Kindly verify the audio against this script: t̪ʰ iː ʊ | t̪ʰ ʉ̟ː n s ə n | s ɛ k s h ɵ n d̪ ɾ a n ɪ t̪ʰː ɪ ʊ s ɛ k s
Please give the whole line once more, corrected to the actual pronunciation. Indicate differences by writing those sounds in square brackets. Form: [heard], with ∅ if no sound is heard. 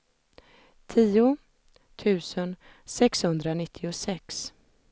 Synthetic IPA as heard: t̪ʰ iː ʊ | t̪ʰ ʉ̟ː [∅] s ə n | s ɛ k s h ɵ n d̪ ɾ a n ɪ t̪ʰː ɪ ʊ s ɛ k s